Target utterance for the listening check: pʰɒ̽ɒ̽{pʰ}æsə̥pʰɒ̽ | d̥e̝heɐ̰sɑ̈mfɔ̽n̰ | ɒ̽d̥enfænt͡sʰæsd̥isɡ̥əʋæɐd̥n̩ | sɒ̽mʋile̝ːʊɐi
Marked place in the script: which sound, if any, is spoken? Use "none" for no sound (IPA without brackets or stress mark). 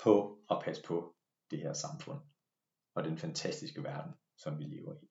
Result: pʰ